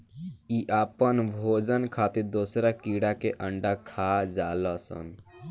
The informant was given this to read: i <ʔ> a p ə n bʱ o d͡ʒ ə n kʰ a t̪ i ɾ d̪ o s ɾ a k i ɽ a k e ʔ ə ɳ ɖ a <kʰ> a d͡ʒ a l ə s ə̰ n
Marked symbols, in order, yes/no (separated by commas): yes, yes